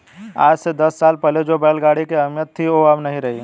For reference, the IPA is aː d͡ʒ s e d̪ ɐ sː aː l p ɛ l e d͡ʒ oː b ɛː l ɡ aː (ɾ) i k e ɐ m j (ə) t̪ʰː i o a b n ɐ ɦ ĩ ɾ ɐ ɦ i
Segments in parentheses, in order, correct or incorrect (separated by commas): incorrect, correct